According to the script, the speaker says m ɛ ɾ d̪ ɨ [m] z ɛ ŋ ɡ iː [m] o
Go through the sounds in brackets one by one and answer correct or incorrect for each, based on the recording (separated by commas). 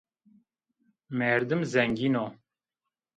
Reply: correct, incorrect